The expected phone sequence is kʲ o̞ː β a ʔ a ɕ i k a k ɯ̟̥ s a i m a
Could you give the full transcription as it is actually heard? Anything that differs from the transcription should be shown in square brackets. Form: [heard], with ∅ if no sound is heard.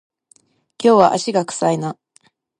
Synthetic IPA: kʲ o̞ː β a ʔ a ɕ i [ɡ] a k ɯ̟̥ s a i [n] a